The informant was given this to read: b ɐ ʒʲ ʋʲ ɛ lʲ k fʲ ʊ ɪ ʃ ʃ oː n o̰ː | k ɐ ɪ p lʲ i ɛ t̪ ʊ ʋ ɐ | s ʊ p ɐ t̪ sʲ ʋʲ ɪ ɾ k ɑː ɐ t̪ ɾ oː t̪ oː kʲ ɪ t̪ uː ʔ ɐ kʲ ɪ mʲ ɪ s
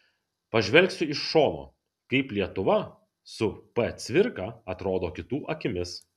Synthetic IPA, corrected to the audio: p ɐ ʒʲ ʋʲ ɛ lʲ k sʲ ʊ ɪ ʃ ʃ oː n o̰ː | k ɐ ɪ p lʲ i ɛ t̪ ʊ ʋ ɐ | s ʊ p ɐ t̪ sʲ ʋʲ ɪ ɾ k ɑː ɐ t̪ ɾ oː d̪ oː kʲ ɪ t̪ uː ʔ ɐ kʲ ɪ mʲ ɪ s